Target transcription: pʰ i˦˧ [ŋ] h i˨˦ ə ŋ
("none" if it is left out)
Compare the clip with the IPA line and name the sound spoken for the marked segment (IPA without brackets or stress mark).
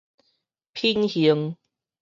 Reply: n